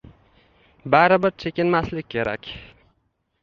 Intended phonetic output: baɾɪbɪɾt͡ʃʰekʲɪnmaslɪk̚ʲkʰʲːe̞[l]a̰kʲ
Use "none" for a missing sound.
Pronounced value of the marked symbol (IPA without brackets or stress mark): ɾ